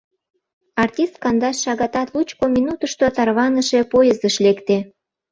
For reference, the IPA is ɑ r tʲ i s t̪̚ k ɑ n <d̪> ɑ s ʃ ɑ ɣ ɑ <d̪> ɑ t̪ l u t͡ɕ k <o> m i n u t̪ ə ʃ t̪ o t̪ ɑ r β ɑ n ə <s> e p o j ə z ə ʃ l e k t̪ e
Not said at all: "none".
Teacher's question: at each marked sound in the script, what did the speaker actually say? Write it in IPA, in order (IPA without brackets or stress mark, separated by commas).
d̪, t̪, o, ʃ